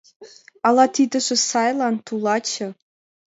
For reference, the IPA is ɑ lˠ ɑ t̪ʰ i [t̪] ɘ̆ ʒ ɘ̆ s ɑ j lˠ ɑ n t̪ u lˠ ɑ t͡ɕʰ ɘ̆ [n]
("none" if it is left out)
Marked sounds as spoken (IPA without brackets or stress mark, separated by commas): d̪, none